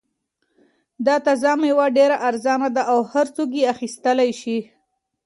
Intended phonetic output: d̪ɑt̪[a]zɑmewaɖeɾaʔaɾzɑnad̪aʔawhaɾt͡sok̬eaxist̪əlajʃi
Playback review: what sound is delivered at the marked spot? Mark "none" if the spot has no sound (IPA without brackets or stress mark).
a